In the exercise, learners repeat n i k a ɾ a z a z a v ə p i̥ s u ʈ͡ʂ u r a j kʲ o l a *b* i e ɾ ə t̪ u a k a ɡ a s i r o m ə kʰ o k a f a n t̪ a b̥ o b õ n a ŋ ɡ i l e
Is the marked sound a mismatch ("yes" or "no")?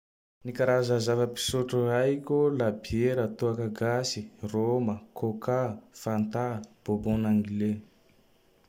no